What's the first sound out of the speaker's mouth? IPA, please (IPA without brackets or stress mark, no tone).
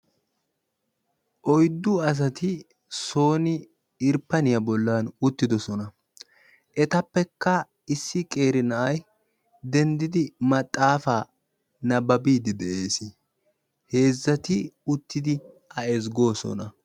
ʔ